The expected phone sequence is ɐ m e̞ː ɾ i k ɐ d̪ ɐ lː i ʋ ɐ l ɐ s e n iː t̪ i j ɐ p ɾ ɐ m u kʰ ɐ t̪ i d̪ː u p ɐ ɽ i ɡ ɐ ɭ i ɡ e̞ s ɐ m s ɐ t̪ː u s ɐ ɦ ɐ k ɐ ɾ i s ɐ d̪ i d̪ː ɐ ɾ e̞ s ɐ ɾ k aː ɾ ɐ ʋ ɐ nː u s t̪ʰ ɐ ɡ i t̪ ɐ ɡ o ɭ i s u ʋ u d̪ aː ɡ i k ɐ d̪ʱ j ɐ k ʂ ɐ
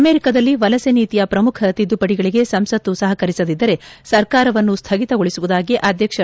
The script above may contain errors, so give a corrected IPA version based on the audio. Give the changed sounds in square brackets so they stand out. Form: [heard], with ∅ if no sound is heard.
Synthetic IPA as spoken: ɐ m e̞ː ɾ i k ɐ d̪ ɐ lː i ʋ ɐ l ɐ s e n iː t̪ i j ɐ p ɾ ɐ m u kʰ ɐ t̪ i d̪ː u p ɐ ɽ i ɡ ɐ ɭ i ɡ e̞ s ɐ m s ɐ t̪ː u s ɐ ɦ ɐ k ɐ ɾ i s ɐ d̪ i d̪ː ɐ ɾ e̞ s ɐ ɾ k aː ɾ ɐ ʋ ɐ nː u s t̪ʰ ɐ ɡ i t̪ ɐ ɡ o ɭ i s u ʋ u d̪ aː ɡ i [ʔ] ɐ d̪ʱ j ɐ k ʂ ɐ